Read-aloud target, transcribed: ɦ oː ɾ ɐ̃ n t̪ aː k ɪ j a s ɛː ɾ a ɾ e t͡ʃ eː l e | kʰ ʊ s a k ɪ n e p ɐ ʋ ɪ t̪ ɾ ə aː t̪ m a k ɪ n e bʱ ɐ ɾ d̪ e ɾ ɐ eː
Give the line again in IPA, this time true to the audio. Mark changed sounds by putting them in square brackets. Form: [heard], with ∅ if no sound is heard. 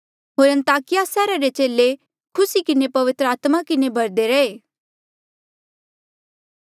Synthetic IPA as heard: ɦ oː ɾ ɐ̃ n t̪ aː k ɪ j a s ɛː ɾ a ɾ e t͡ʃ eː l e | kʰ ʊ s [i] k ɪ n e p ɐ ʋ ɪ t̪ ɾ ə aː t̪ m a k ɪ n e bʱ ɐ ɾ d̪ e ɾ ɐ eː

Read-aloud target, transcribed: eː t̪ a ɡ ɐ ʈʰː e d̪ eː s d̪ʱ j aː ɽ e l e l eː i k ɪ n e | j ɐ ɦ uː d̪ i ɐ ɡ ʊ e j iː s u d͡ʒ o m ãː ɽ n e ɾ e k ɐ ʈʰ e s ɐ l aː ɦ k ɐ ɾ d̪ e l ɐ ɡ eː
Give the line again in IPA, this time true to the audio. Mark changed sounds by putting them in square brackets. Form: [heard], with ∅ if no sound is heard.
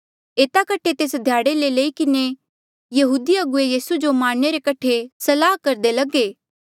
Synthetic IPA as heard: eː t̪ a [k] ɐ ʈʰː e [t̪] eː s d̪ʱ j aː ɽ e l e l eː i k ɪ n e | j ɐ ɦ uː d̪ i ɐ ɡ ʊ e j iː s u d͡ʒ o m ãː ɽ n e ɾ e k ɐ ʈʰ e s ɐ l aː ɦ k ɐ ɾ d̪ e l ɐ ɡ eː

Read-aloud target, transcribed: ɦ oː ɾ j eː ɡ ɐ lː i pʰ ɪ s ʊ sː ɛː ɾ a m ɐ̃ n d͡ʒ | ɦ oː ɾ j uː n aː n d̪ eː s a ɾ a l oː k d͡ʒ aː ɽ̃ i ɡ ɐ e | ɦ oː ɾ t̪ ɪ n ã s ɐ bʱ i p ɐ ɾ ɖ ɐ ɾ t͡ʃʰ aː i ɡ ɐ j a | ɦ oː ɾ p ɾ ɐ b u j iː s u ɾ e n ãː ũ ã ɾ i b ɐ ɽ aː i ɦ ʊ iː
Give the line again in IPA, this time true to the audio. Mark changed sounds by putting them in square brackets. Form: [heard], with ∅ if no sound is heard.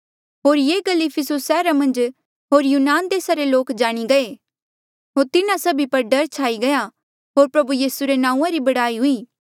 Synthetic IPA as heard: ɦ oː ɾ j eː ɡ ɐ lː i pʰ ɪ s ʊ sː ɛː ɾ a m ɐ̃ n d͡ʒ | ɦ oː ɾ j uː n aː n d̪ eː s a ɾ [e] l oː k d͡ʒ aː ɽ̃ i ɡ ɐ e | ɦ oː ɾ t̪ ɪ n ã s ɐ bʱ i p ɐ ɾ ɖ ɐ ɾ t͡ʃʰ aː i ɡ ɐ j a | ɦ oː ɾ p ɾ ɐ b u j iː s u ɾ e n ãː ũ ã ɾ i b ɐ ɽ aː i ɦ ʊ iː

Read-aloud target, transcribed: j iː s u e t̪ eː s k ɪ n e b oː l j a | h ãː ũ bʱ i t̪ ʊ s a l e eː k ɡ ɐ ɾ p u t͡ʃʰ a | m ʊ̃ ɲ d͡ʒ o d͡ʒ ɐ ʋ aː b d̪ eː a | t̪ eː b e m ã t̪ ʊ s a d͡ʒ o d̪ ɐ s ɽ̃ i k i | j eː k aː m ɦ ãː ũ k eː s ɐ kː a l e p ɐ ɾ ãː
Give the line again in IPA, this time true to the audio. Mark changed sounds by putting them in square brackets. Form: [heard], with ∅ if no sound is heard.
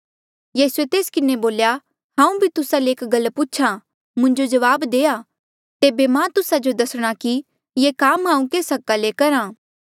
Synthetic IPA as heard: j iː s u e t̪ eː s k ɪ n e b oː l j a | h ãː ũ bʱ i t̪ ʊ s a l e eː k ɡ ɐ [l] p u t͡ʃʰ a | m ʊ̃ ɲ d͡ʒ o d͡ʒ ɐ ʋ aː b d̪ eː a | t̪ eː b e m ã t̪ ʊ s a d͡ʒ o d̪ ɐ s ɽ̃ [a] k i | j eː k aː m ɦ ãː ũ k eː s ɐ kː a l e [k] ɐ ɾ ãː

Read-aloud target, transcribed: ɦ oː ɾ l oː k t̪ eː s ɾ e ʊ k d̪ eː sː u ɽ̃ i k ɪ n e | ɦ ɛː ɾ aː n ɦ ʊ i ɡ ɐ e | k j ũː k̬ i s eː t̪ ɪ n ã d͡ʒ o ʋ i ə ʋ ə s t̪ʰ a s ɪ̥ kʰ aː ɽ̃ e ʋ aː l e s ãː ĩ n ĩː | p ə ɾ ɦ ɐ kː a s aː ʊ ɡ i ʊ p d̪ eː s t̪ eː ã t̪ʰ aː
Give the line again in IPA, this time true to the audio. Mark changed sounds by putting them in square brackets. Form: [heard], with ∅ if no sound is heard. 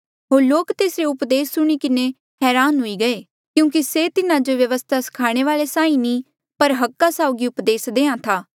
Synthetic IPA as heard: ɦ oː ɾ l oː k t̪ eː s ɾ e ʊ [p] d̪ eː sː [ʊ] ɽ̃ i k ɪ n e | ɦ ɛː ɾ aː n ɦ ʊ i ɡ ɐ e | k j ũː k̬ i s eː t̪ ɪ n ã d͡ʒ o ʋ [j] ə ʋ ə s t̪ʰ a s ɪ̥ kʰ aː ɽ̃ e ʋ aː l e s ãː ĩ n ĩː | p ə ɾ ɦ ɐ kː a s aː ʊ ɡ i ʊ p d̪ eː s [d̪] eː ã t̪ʰ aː

